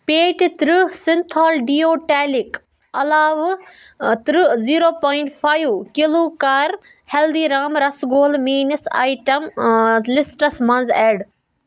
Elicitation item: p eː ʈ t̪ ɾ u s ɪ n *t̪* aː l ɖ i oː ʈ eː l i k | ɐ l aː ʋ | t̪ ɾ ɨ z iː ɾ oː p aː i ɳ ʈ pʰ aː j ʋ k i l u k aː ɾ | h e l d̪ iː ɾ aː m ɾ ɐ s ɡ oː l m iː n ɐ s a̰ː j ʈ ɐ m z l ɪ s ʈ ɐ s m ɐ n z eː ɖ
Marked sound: incorrect: t̪ʰ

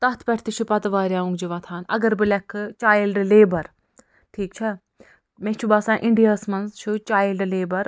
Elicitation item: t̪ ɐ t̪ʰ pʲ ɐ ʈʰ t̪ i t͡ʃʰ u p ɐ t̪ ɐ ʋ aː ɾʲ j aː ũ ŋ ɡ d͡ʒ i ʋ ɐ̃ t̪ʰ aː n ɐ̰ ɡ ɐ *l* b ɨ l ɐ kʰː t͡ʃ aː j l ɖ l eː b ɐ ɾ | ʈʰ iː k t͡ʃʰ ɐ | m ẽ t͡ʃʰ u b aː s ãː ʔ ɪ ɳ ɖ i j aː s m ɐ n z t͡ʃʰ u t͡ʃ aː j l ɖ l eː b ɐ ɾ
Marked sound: incorrect: ɾ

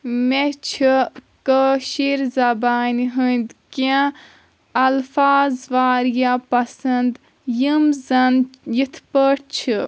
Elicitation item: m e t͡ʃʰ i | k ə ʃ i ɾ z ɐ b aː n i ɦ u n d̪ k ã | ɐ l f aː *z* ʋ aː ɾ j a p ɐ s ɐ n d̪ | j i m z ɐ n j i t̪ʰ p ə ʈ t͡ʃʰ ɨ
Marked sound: correct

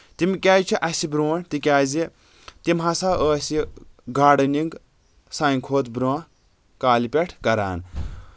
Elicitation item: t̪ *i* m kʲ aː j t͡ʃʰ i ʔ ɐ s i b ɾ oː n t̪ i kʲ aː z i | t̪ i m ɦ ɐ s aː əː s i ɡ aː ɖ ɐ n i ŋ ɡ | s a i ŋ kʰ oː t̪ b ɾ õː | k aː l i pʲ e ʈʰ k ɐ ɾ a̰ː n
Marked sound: correct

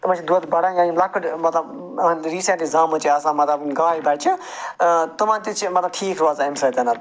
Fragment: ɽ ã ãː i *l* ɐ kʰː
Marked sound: correct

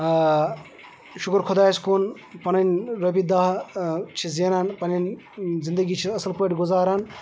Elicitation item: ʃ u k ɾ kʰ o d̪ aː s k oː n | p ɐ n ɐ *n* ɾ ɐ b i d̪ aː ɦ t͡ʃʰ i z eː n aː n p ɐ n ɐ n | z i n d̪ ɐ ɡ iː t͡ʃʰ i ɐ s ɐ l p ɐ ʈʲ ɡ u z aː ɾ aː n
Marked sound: correct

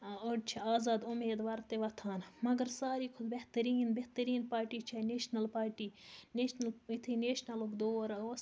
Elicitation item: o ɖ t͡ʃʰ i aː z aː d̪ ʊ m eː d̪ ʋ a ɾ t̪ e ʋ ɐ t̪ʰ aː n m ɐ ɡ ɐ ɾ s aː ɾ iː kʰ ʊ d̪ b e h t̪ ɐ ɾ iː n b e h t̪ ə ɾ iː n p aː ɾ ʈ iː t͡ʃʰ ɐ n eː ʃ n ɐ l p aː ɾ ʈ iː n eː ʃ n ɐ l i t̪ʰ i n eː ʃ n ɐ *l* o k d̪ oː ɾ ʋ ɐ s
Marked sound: correct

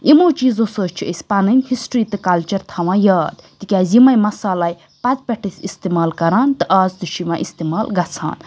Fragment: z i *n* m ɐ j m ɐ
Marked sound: incorrect: none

